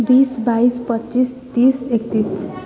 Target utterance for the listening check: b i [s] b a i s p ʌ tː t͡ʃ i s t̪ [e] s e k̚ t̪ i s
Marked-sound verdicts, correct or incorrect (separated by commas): correct, incorrect